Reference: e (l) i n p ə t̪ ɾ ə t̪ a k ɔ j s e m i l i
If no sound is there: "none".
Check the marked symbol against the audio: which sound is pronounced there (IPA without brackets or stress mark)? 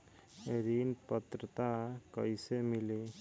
ɾ